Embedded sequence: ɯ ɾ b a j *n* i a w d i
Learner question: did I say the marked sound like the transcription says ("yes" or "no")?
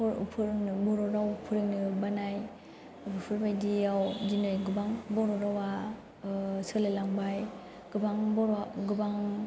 no